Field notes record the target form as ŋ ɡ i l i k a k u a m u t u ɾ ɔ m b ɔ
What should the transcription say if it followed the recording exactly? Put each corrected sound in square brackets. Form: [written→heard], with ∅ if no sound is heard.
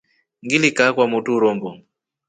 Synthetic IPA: ŋ ɡ i l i k a k [u→w] a m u t u ɾ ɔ m b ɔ